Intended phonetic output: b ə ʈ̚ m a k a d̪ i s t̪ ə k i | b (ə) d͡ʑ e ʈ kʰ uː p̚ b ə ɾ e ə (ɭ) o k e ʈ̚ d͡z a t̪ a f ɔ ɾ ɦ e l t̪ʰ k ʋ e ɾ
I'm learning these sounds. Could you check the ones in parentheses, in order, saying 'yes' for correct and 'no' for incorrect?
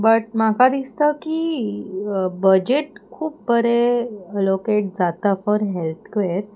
yes, no

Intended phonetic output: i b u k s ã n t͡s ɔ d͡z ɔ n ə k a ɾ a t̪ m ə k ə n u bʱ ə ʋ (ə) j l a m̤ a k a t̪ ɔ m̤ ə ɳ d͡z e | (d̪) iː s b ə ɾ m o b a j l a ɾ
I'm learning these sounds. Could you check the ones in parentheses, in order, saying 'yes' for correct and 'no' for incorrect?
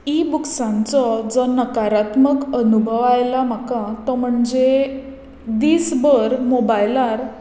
no, yes

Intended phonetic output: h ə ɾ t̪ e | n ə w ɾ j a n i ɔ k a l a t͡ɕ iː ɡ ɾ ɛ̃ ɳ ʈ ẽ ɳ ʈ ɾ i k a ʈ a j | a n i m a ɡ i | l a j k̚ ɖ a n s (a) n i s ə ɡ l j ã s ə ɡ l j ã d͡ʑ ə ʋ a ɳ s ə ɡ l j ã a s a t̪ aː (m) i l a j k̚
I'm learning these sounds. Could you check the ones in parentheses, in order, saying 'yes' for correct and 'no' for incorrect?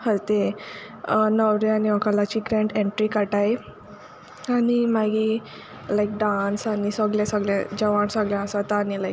yes, no

